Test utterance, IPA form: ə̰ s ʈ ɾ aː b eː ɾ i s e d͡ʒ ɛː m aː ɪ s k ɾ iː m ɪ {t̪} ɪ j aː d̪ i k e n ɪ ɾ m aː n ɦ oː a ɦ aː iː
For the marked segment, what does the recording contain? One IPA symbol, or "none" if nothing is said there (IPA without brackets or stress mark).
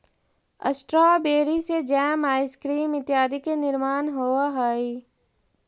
t̪